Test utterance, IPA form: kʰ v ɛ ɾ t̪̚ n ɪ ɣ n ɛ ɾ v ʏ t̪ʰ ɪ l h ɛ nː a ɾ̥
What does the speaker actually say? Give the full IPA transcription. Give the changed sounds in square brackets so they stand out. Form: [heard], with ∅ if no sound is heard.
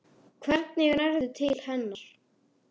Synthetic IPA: kʰ v ɛ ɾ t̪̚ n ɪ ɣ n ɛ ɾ [ð] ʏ t̪ʰ ɪ l h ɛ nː a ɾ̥